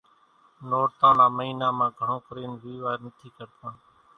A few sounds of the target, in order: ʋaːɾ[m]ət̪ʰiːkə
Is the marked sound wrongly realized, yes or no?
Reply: yes